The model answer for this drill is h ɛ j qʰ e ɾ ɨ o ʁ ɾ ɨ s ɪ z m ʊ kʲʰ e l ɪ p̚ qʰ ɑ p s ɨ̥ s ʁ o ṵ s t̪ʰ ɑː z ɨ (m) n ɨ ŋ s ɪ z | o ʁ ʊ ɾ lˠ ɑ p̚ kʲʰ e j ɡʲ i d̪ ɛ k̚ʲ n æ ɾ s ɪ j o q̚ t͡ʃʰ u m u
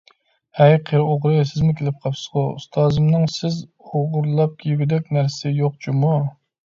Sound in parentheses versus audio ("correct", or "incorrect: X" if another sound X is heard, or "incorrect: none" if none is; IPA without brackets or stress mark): correct